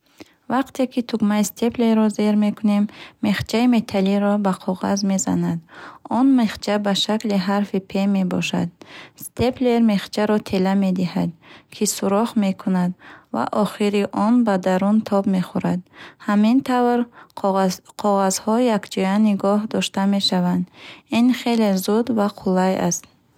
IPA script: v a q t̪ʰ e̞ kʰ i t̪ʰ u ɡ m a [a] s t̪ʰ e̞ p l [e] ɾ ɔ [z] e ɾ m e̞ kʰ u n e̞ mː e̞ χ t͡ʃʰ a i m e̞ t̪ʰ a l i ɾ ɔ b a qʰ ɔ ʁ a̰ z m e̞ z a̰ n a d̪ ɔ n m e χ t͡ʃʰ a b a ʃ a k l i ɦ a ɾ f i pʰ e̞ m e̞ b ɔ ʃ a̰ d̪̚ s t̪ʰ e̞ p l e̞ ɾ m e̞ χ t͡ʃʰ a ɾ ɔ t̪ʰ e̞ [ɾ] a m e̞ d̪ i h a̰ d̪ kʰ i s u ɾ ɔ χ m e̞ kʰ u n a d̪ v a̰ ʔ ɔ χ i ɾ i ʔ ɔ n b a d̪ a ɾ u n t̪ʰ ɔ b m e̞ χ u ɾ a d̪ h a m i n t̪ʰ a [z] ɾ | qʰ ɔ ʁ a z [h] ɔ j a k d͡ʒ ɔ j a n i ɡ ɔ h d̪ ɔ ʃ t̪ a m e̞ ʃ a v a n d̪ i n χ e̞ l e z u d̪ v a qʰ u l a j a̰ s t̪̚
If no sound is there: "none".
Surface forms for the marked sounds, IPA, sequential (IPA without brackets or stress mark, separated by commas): i, e, z, l, v, h